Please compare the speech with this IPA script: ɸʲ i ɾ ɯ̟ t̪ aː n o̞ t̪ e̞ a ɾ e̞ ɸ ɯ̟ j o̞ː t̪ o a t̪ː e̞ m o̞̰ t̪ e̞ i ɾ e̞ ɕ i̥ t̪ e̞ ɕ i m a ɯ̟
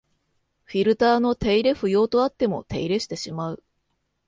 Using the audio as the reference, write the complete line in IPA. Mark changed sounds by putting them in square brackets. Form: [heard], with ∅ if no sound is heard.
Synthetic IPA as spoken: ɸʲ i ɾ ɯ̟ t̪ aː n o̞ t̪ e̞ [i] ɾ e̞ ɸ ɯ̟ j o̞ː t̪ o a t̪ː e̞ m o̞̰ t̪ e̞ i ɾ e̞ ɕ i̥ t̪ e̞ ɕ i m a ɯ̟